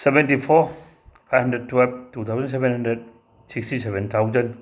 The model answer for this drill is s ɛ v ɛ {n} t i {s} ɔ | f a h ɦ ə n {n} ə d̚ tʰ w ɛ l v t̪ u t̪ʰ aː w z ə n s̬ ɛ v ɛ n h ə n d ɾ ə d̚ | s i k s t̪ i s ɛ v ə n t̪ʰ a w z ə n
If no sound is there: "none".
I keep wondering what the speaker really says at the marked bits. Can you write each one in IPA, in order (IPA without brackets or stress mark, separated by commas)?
n, f, d